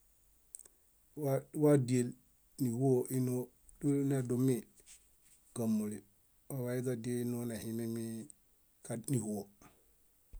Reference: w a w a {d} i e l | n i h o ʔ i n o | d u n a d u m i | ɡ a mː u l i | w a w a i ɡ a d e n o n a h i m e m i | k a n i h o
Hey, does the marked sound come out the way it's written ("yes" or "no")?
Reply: yes